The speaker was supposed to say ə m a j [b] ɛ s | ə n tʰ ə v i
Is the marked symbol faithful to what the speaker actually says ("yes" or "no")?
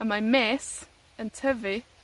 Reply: no